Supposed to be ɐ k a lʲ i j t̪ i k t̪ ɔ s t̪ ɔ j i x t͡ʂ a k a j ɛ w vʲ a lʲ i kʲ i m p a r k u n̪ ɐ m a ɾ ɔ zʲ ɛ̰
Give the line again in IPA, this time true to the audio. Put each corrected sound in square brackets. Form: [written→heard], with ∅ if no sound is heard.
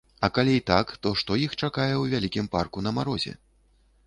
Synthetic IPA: ɐ k a lʲ i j t̪ [i→a] k t̪ ɔ [s→ʂ] t̪ ɔ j i x t͡ʂ a k a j ɛ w vʲ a lʲ i kʲ i m p a r k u n̪ ɐ m a ɾ ɔ zʲ ɛ̰